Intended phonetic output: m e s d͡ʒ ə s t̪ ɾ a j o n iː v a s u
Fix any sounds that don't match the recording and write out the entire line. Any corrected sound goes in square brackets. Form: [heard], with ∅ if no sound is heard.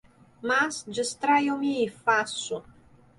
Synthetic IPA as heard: m [a] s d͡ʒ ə s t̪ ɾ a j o [m] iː [f] a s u